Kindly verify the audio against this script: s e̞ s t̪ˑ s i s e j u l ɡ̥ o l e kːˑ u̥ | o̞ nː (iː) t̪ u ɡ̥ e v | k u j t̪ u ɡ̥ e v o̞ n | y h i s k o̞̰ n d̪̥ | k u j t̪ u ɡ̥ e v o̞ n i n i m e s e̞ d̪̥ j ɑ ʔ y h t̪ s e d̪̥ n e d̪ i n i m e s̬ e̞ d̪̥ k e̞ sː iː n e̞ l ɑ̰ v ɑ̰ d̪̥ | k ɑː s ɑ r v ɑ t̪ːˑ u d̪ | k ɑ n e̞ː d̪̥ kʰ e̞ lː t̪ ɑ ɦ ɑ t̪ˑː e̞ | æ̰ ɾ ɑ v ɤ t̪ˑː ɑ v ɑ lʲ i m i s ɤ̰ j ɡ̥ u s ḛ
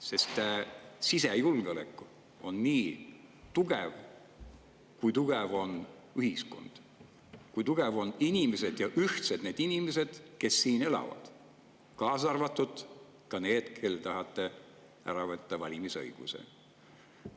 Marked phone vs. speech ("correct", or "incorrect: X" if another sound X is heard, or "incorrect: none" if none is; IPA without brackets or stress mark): correct